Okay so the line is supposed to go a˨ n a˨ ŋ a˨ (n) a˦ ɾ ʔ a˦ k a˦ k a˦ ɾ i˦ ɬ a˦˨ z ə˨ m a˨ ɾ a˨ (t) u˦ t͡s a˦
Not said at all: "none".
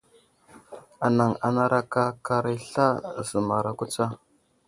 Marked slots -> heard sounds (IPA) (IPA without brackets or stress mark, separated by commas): n, k